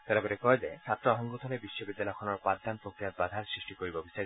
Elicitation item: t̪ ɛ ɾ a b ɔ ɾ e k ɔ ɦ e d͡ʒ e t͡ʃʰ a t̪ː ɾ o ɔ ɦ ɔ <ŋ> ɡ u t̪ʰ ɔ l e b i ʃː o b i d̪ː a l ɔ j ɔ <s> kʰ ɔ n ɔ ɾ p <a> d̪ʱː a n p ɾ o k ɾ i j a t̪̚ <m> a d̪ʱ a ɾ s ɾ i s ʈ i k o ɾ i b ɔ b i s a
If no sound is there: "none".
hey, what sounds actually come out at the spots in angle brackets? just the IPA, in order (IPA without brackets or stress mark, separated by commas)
ŋ, none, a, b